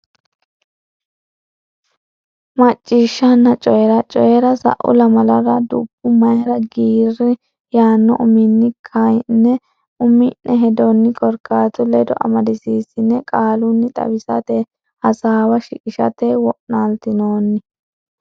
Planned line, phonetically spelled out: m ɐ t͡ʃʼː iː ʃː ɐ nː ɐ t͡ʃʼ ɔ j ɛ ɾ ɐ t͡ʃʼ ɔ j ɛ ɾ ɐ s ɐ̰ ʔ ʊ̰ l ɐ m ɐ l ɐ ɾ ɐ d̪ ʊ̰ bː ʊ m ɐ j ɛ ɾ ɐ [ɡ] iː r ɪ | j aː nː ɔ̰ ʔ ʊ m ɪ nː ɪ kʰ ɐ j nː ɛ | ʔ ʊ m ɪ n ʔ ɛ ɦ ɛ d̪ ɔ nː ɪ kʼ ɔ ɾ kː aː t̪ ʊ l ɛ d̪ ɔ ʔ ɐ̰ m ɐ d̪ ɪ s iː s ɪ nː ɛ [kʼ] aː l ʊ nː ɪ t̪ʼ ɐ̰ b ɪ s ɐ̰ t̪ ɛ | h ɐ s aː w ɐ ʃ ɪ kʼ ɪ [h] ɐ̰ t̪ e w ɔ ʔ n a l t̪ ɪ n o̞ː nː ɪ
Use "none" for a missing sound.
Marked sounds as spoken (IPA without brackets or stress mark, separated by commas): ɡ, kʼ, ʃ